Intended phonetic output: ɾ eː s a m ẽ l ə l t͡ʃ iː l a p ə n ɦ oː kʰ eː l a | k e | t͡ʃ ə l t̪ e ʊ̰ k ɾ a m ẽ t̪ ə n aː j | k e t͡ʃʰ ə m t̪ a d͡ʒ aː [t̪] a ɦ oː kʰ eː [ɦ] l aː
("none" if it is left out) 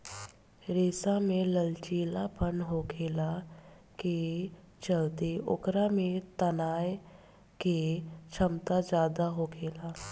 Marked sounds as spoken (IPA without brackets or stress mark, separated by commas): d̪, none